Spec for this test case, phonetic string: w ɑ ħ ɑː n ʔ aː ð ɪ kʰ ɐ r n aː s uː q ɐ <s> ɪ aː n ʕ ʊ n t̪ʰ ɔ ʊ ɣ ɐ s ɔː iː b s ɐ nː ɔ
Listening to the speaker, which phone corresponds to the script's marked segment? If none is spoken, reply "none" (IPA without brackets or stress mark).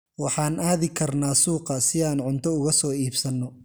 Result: s